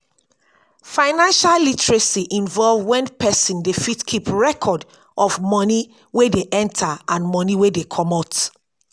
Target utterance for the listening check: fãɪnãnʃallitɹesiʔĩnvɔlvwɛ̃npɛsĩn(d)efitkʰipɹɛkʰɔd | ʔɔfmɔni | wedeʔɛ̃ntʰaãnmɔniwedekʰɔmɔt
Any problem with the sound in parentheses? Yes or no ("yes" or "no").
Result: no